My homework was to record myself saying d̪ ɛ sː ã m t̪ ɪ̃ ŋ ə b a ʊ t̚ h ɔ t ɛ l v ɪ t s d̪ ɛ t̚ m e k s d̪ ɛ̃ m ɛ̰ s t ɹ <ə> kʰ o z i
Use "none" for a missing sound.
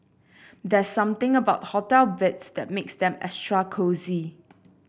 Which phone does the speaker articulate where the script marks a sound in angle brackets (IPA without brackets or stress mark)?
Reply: a